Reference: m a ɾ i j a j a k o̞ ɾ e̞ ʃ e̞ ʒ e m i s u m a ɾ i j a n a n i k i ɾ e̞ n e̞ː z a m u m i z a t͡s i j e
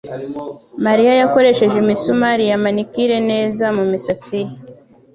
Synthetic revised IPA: m a ɾ i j a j a k o̞ ɾ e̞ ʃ e̞ ʒ e m i s u m a ɾ i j a m a n i k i ɾ e̞ n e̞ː z a m u m i s a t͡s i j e